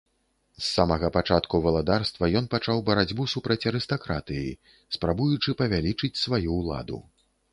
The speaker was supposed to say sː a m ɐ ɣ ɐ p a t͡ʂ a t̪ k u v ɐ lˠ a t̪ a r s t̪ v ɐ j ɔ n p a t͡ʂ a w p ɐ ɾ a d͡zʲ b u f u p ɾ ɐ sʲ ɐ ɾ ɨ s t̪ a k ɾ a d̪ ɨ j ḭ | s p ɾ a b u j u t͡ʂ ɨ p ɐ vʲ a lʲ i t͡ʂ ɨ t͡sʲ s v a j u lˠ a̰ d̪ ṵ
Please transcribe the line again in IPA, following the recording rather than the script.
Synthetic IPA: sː a m ɐ ɣ ɐ p a t͡ʂ a t̪ k u v ɐ lˠ a d̪ a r s t̪ v ɐ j ɔ n p a t͡ʂ a w b ɐ ɾ a d͡zʲ b u s u p ɾ ɐ t͡sʲ ɐ ɾ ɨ s t̪ a k ɾ a t̪ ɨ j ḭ | s p ɾ a b u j u t͡ʂ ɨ p ɐ vʲ a lʲ i t͡ʂ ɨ t͡sʲ s v a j u lˠ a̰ d̪ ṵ